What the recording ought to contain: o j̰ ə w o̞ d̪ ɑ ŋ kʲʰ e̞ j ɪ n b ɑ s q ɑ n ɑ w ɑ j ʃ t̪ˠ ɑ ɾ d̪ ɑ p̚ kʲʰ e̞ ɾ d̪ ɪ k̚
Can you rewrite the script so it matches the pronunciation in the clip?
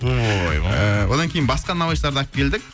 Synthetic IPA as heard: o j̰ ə w o̞ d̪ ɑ ŋ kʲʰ e̞ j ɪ n b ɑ s q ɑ n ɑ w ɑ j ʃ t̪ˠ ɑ ɾ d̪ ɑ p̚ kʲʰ e̞ l d̪ ɪ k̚

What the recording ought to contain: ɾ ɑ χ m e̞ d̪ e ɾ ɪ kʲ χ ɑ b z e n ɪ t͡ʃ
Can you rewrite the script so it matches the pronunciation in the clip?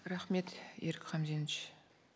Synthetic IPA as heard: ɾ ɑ χ m e̞ t̪ e ɾ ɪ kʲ χ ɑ m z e n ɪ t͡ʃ

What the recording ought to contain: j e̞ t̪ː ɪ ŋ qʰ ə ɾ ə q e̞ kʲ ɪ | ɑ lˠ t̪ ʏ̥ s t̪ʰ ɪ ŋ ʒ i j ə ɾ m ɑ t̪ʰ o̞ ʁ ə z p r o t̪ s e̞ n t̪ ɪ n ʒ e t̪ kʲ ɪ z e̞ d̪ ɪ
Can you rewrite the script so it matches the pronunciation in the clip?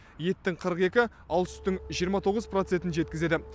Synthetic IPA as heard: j e̞ t̪ː ɪ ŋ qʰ ə ɾ ə q e̞ kʲ ɪ | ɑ lˠ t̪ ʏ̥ s t̪ ɪ ŋ ʒ i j ə ɾ m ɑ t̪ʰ o̞ ʁ ə z p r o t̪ s e̞ n t̪ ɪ n ʒ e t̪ kʲ ɪ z e̞ d̪ ɪ

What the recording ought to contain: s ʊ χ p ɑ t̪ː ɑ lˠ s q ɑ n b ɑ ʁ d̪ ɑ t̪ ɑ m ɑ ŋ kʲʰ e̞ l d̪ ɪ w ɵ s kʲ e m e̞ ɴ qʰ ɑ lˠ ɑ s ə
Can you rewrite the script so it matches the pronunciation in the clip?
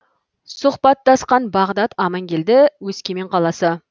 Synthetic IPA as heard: s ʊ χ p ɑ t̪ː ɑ s q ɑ n b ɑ ʁ d̪ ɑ t̪ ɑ m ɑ ŋ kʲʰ e̞ l d̪ ɪ w ɵ s kʲ e m e̞ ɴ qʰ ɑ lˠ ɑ s ə

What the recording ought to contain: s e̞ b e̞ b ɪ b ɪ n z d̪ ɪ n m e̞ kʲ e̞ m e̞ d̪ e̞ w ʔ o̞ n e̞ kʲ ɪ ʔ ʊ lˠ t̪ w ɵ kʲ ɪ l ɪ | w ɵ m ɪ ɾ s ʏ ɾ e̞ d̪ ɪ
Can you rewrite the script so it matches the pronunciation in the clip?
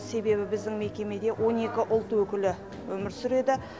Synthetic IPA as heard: s e̞ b e̞ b ɪ b ɪ z d̪ ɪ ŋ m e̞ kʲ e̞ m e̞ d̪ e̞ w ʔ o̞ n e̞ kʲ ɪ ʔ ʊ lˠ t̪ w ɵ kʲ ɪ l ɪ | w ɵ m ɪ ɾ s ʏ ɾ e̞ d̪ ɪ

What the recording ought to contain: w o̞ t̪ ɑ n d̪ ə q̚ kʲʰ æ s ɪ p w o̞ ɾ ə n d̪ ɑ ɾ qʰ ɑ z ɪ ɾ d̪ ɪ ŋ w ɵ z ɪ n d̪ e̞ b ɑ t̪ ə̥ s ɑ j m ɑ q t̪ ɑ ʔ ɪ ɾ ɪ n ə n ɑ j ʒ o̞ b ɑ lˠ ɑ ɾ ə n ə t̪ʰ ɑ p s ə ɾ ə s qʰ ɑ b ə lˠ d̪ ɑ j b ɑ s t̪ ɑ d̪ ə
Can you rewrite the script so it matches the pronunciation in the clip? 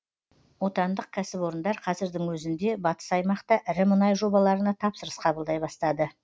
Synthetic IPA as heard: w o̞ t̪ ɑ n d̪ ə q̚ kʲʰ æ s ɪ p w o̞ ɾ ə n d̪ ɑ ɾ qʰ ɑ z ɪ ɾ d̪ ɪ ŋ w ɵ z ɪ n d̪ e̞ b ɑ t̪ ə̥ s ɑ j m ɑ q t̪ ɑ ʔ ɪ ɾ ɪ m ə n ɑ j ʒ o̞ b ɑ lˠ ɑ ɾ ə n ɑ t̪ʰ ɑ p s ə ɾ ə s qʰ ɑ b ə lˠ d̪ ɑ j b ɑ s t̪ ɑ d̪ ə

